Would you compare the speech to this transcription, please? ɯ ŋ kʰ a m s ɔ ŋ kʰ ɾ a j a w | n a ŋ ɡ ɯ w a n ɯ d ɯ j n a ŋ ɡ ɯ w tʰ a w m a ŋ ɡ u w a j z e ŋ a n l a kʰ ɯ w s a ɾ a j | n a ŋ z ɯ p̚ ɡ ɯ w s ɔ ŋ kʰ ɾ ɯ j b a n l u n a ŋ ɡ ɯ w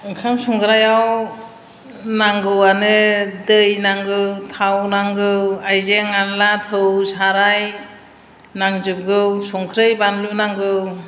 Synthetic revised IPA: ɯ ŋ kʰ a m s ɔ ŋ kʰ ɾ a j a w | n a ŋ ɡ ɯ w a n ɯ d ɯ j n a ŋ ɡ ɯ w tʰ a w n a ŋ ɡ ɯ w a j z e ŋ a n l a tʰ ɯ w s a ɾ a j | n a ŋ z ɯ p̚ ɡ ɯ w s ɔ ŋ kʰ ɾ ɯ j b a n l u n a ŋ ɡ ɯ w

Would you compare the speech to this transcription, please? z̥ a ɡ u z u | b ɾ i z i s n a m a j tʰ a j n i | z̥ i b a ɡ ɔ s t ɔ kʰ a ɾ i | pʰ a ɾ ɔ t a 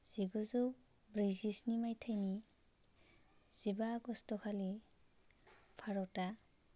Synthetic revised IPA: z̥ i ɡ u z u | b ɾ i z i s n i m a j tʰ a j n i | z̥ i b a ɡ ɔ s t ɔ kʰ a l i | pʰ a ɾ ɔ t a

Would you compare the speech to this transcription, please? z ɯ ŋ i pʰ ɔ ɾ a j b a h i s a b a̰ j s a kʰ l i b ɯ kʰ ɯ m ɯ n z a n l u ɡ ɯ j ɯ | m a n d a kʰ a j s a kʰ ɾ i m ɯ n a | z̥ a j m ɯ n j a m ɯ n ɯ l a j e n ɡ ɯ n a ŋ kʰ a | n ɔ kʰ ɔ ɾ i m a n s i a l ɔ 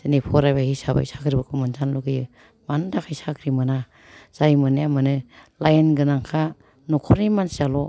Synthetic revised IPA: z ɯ n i pʰ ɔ ɾ a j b a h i s a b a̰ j s a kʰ ɾ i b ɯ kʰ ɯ m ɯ n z a n l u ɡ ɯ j ɯ | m a n d a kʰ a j s a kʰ ɾ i m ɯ n a | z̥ a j m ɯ n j a m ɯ n ɯ l a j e n ɡ ɯ n a ŋ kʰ a | n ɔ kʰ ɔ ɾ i m a n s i a l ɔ

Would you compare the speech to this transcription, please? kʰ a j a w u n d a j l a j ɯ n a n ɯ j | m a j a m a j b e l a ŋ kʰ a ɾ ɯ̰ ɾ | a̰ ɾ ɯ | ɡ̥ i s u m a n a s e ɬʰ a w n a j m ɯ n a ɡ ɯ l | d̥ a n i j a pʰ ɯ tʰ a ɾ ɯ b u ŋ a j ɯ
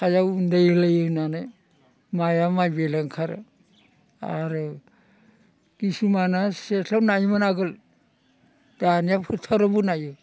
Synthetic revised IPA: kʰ a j a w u n d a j l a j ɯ n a n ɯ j | m a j a m a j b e l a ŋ kʰ a ɾ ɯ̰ | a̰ ɾ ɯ | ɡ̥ i s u m a n a s e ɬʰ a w n a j m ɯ n a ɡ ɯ l | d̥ a n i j a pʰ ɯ tʰ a ɾ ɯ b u n a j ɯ

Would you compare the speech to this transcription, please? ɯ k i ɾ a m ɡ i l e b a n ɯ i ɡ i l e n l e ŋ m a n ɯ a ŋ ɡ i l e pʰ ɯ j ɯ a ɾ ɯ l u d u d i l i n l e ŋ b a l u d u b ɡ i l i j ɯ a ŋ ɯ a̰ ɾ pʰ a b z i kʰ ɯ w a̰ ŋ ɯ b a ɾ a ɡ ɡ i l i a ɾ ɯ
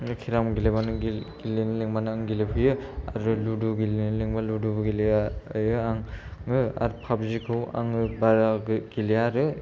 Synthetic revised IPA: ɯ kʰ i ɾ a m ɡ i l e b a n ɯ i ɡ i l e n l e ŋ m a n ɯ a ŋ ɡ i l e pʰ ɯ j ɯ a ɾ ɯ l u d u ɡ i l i n l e ŋ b a l u d u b ɡ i l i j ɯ a ŋ ɯ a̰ ɾ pʰ a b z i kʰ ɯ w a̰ ŋ ɯ b a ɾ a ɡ ɡ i l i a ɾ ɯ

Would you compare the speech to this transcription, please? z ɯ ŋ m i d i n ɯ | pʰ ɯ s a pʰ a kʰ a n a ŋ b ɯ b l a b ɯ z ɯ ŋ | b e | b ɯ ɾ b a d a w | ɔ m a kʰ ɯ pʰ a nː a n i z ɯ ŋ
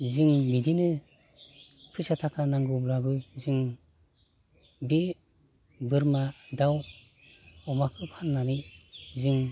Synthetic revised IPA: z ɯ ŋ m i d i n ɯ | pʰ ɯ s a tʰ a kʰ a n a ŋ ɡ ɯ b l a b ɯ z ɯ ŋ | b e | b ɯ ɾ m a d a w | ɔ m a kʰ ɯ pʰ a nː a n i z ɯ ŋ

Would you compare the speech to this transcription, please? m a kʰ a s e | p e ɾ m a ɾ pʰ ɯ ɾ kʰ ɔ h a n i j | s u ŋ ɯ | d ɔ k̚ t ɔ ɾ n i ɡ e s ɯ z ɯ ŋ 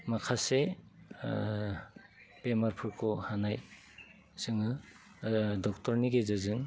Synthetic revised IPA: m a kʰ a s e | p e m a ɾ pʰ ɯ ɾ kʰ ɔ h a n a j | s ɯ ŋ ɯ | d ɔ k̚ t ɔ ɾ n i ɡ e z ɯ z ɯ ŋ

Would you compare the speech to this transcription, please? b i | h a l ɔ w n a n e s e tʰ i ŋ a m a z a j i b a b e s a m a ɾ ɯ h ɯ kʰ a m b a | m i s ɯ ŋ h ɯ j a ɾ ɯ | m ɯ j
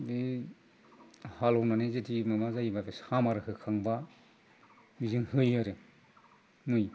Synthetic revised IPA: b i | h a l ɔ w n a n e z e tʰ i m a m a z a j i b a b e s a m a ɾ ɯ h ɯ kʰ a ŋ b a | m i z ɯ ŋ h ɯ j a ɾ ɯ | m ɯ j

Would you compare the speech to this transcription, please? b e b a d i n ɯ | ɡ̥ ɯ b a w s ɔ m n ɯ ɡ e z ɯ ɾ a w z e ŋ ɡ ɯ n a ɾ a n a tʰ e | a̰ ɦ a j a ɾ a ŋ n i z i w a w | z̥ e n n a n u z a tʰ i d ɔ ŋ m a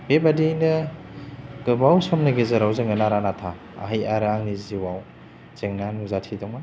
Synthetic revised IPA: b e b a d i n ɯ | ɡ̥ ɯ b a w s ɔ m n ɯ ɡ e z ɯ ɾ a w z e ŋ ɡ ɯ n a ɾ a n a tʰ a | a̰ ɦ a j a ɾ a ŋ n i z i w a w | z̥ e ŋ n a n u z a tʰ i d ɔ ŋ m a

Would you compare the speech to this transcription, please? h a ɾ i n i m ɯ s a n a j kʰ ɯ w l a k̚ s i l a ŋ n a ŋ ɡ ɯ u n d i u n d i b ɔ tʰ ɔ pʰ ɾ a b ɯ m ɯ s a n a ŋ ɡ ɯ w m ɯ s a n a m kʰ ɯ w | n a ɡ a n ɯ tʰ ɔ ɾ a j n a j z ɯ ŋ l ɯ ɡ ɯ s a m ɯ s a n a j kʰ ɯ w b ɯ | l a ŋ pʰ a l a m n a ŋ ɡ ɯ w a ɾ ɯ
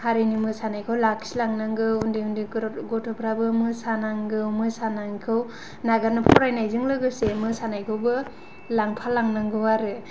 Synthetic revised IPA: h a ɾ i n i m ɯ s a n a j kʰ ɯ w l a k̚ s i l a ŋ n a ŋ ɡ ɯ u n d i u n d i ɡ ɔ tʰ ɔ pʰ ɾ a b ɯ m ɯ s a n a ŋ ɡ ɯ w m ɯ s a n a ŋ kʰ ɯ w | n a ɡ a n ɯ pʰ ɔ ɾ a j n a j z ɯ ŋ l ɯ ɡ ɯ s e m ɯ s a n a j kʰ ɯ w b ɯ | l a ŋ pʰ a l a ŋ n a ŋ ɡ ɯ w a ɾ ɯ

